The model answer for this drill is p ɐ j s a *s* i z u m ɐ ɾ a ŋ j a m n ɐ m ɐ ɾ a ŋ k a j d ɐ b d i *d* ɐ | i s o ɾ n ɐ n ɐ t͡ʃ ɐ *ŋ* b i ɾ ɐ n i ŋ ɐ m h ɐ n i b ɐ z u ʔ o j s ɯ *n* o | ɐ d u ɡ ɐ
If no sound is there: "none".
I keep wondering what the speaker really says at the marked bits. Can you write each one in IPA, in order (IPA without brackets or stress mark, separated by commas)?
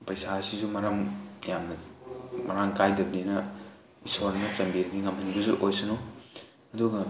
s, n, m, n